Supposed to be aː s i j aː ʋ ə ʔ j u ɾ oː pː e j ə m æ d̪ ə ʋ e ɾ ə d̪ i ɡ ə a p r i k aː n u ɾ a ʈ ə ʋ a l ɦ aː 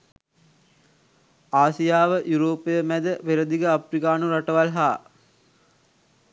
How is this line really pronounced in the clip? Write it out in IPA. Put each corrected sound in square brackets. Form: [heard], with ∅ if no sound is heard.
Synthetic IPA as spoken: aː s i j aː ʋ ə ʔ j u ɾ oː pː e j ə m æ d̪ ə ʋ e ɾ ə d̪ i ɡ ə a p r i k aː n u ɾ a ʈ ə ʋ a l ɦ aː